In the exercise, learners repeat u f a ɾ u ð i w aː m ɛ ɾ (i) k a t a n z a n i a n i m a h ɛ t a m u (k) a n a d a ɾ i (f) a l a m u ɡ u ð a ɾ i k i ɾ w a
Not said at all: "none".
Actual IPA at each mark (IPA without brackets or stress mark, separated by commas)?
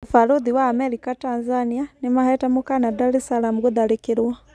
i, k, s